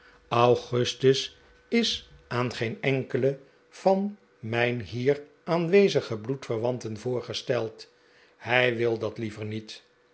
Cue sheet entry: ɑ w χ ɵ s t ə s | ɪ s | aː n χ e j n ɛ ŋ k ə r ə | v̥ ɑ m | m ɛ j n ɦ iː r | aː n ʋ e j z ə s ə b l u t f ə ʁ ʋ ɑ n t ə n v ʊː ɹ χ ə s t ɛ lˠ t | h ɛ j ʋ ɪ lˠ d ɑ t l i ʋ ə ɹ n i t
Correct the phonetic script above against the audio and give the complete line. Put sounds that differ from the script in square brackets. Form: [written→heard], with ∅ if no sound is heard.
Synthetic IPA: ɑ w χ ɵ s t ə s | ɪ s | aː n χ e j n ɛ ŋ k ə [r→l] ə | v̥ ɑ [m→n] | m ɛ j n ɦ iː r | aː n ʋ e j z ə [s→χ] ə b l u t f ə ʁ ʋ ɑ n t ə n v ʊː ɹ χ ə s t ɛ lˠ t | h ɛ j ʋ ɪ lˠ d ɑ t l i [ʋ→v] ə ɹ n i t